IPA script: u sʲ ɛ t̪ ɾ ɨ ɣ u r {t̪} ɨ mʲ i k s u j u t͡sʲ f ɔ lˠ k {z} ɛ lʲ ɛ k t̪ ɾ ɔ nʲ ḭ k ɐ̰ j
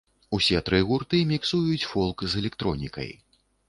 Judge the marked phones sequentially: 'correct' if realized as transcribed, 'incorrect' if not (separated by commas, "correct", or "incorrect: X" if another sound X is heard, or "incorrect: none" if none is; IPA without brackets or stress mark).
correct, correct